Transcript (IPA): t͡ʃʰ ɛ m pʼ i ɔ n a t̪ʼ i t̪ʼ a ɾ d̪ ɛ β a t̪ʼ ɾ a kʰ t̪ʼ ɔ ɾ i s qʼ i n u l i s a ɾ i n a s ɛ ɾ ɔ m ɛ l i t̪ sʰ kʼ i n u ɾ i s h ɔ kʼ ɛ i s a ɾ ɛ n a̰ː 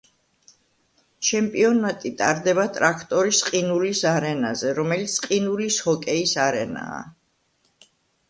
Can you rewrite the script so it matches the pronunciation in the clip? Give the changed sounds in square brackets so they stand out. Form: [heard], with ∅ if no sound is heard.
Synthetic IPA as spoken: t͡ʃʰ ɛ m pʼ i ɔ n a t̪ʼ i t̪ʼ a ɾ d̪ ɛ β a t̪ʼ ɾ a kʰ t̪ʼ ɔ ɾ i s qʼ i n u l i s a ɾ [ɛ] n a [z] ɛ ɾ ɔ m ɛ l i t̪ sʰ [qʼ] i n u [l] i s h ɔ kʼ ɛ i s a ɾ ɛ n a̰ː